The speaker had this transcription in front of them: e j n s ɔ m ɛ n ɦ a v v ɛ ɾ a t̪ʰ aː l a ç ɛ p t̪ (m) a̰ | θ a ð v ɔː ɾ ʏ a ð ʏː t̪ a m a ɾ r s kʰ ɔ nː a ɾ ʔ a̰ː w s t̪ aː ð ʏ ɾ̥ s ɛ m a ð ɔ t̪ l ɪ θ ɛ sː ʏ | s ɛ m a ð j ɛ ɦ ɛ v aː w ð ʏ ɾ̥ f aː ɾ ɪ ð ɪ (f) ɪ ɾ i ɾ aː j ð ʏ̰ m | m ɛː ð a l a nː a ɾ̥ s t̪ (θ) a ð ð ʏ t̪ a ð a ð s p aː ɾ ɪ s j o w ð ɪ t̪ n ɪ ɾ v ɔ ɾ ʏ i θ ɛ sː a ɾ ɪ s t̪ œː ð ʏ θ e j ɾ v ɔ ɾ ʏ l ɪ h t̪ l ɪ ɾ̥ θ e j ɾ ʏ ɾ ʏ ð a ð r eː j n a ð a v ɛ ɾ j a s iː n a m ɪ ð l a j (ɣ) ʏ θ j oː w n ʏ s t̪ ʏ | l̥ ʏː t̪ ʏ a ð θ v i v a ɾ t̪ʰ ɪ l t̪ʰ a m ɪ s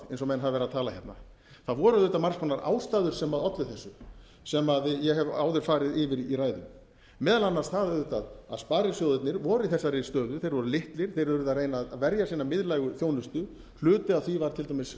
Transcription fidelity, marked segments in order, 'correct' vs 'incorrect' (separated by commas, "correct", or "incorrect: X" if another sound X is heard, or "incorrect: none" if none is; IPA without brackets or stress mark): incorrect: n, incorrect: v, correct, correct